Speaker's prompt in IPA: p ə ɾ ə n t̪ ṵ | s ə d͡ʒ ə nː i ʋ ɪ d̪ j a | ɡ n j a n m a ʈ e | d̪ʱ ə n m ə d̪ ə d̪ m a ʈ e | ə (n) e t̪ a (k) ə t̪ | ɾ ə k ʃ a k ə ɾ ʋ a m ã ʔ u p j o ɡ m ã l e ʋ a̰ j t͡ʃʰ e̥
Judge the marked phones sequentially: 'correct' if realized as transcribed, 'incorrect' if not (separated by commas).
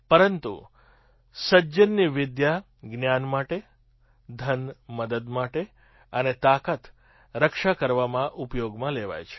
correct, correct